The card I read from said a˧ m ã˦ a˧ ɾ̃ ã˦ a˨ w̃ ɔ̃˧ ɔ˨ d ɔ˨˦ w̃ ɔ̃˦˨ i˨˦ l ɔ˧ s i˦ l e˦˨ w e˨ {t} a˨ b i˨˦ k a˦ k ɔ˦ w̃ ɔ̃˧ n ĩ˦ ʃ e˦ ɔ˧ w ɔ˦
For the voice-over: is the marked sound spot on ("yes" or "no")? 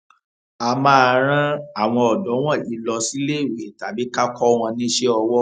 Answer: yes